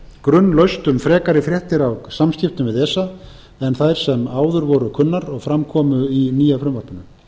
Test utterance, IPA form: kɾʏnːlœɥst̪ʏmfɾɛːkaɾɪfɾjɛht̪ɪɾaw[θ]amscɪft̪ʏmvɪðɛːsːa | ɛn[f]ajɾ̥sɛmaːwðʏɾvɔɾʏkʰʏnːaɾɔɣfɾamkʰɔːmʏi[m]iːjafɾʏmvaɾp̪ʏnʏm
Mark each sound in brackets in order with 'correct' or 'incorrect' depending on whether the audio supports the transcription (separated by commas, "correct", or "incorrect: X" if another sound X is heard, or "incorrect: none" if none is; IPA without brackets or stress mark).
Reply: incorrect: s, incorrect: θ, incorrect: n